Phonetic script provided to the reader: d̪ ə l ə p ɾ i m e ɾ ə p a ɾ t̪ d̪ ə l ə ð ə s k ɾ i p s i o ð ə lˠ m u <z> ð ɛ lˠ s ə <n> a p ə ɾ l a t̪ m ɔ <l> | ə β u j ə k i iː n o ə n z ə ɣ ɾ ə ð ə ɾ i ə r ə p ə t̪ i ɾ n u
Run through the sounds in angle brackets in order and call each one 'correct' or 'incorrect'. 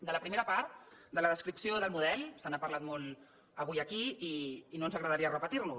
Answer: incorrect: none, correct, correct

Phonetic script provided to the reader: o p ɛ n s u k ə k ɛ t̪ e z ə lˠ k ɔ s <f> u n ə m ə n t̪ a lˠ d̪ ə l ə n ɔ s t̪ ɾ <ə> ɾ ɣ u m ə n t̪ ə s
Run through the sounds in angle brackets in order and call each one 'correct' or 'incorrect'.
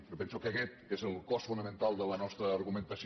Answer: correct, incorrect: əː

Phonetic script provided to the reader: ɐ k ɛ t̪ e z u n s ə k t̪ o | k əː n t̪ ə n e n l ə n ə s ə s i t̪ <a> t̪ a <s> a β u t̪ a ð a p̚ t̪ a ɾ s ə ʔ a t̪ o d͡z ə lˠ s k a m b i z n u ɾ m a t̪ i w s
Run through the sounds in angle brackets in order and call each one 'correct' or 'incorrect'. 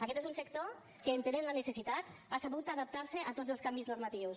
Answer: correct, correct

